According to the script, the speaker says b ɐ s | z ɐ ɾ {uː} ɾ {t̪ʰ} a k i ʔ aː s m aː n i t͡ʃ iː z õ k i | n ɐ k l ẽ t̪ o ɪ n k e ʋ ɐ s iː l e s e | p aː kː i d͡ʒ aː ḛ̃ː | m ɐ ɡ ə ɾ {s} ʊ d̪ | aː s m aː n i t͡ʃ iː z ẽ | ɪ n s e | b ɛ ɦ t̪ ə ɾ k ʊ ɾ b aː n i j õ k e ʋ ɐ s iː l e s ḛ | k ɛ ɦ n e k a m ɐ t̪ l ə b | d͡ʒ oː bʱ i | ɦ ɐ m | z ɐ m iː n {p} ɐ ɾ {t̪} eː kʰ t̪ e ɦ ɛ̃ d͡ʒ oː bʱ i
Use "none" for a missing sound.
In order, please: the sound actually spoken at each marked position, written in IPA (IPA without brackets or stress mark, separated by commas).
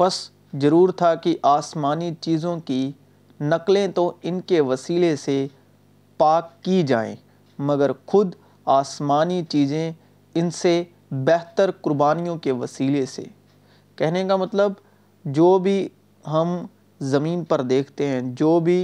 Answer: uː, t̪ʰ, x, p, d̪